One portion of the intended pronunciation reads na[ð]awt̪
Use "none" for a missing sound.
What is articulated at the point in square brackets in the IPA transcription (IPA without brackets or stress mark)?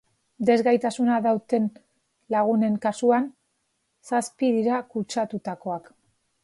ð